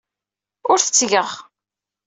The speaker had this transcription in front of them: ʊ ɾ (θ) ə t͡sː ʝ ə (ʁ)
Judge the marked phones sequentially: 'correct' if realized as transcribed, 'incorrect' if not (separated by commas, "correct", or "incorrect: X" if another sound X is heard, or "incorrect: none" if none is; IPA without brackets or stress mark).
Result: correct, correct